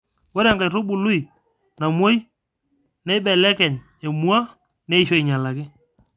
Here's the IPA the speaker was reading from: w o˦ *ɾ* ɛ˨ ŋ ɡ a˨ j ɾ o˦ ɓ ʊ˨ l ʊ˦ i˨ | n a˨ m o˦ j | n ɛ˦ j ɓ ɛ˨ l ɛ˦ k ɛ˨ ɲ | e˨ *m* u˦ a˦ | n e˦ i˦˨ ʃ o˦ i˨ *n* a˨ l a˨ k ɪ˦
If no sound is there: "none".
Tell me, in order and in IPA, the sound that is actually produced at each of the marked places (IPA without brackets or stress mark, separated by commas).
ɾ, m, ɲ